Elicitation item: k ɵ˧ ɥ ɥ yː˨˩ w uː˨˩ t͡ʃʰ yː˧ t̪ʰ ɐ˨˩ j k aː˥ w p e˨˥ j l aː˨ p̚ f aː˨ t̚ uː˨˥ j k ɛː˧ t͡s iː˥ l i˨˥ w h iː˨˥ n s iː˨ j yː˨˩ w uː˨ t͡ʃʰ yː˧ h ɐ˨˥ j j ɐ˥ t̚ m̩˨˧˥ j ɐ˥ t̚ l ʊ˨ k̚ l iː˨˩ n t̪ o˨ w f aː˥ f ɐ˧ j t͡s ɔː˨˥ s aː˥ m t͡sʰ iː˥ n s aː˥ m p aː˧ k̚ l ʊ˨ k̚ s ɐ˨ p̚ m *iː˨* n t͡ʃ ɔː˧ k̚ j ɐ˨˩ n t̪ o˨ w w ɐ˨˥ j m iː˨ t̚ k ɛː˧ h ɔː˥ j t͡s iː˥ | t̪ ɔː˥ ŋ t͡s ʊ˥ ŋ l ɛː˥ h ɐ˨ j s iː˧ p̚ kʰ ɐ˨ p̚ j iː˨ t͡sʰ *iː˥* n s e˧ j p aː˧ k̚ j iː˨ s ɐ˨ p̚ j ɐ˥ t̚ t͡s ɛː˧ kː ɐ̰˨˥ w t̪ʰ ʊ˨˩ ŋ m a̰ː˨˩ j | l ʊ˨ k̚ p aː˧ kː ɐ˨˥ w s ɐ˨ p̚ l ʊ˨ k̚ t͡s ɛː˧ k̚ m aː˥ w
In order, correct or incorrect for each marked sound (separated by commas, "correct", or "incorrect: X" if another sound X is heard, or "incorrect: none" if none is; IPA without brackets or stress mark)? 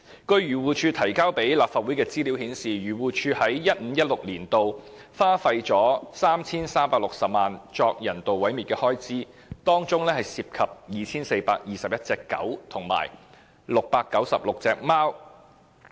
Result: incorrect: aː˨, correct